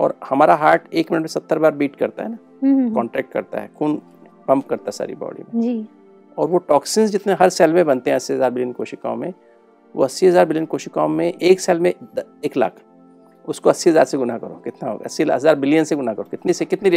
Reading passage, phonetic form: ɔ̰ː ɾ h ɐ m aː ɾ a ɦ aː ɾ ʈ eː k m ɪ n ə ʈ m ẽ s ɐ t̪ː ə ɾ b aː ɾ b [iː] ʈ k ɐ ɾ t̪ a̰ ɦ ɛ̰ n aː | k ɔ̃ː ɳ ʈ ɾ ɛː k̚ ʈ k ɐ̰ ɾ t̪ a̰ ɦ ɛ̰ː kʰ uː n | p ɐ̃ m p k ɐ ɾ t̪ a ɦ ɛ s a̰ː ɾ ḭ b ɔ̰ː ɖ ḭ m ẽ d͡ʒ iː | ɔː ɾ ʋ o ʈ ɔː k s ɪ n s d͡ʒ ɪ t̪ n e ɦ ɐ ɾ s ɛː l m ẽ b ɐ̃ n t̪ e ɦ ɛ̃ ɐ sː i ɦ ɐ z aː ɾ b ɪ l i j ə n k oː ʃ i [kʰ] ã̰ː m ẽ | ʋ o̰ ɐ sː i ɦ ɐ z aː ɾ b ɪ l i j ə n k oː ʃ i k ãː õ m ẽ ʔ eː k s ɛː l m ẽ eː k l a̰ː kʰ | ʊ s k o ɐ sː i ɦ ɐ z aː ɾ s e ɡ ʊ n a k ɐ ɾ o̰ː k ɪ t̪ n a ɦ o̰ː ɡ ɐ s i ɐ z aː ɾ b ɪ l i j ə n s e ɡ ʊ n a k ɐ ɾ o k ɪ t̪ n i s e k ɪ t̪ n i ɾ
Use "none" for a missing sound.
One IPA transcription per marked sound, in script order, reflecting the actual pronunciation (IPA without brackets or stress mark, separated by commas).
iː, k